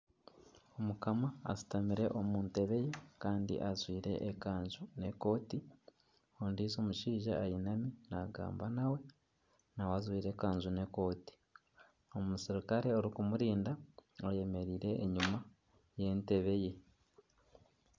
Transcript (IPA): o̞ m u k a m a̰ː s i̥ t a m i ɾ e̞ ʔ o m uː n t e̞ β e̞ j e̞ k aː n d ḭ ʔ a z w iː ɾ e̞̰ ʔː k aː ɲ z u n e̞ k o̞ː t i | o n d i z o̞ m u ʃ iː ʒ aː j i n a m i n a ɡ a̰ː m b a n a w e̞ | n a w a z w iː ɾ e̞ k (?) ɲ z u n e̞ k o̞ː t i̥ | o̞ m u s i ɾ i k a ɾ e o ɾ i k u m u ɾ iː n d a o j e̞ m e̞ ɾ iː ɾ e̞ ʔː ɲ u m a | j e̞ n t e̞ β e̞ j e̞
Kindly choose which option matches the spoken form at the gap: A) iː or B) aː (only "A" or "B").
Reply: B